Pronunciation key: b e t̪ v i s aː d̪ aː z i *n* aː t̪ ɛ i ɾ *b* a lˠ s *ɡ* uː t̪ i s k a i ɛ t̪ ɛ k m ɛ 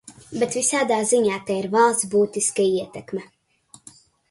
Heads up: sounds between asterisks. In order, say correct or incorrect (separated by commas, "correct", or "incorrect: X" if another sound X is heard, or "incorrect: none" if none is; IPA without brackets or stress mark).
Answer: incorrect: ɲ, incorrect: v, incorrect: b